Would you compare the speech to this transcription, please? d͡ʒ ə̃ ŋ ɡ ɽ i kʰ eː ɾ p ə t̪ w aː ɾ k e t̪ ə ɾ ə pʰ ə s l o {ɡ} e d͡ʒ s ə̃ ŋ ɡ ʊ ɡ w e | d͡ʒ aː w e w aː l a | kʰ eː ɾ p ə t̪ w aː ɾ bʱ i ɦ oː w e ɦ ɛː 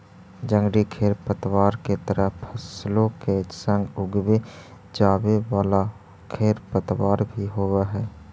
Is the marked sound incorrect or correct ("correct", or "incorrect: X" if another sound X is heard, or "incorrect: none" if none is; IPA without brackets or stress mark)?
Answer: incorrect: k